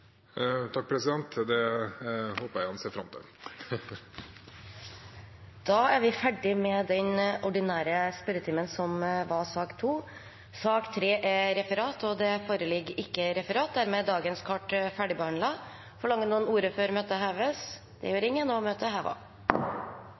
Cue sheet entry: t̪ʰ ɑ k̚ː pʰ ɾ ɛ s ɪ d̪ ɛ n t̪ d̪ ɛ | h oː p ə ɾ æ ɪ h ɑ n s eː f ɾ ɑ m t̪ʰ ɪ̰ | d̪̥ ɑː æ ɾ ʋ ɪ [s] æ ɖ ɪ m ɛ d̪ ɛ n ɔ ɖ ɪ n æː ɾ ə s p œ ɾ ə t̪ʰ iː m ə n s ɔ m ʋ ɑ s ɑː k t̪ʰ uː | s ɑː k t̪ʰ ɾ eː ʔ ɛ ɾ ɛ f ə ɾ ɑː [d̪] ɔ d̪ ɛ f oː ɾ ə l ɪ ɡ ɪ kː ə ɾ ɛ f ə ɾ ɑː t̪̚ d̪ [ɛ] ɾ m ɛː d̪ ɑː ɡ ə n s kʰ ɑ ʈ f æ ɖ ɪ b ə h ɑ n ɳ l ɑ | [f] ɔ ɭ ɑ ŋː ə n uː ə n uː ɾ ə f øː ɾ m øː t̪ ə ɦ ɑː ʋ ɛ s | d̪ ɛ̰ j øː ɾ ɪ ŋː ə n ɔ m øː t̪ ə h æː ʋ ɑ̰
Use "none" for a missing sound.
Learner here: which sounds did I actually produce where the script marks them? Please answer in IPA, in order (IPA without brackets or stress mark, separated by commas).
f, t̪, æ, f